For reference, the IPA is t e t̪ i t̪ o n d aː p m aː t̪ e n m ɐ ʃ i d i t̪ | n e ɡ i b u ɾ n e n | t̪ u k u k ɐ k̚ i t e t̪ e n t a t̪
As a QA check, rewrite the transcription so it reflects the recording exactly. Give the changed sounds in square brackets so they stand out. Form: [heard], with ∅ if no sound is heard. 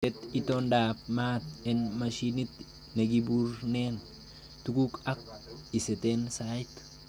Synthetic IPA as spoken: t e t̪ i t̪ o n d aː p m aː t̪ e n m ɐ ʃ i [n] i t̪ | n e ɡ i b u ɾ n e n | t̪ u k u k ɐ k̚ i [s] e t̪ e n [s] a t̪